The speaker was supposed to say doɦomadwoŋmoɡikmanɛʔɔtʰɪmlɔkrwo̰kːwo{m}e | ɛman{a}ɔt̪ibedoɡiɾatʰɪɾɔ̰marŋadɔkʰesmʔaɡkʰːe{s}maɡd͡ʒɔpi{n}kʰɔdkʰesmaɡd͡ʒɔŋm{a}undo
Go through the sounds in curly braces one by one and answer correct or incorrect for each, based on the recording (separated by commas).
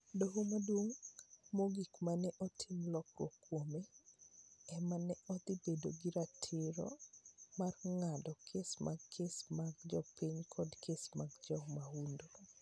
correct, incorrect, correct, incorrect, correct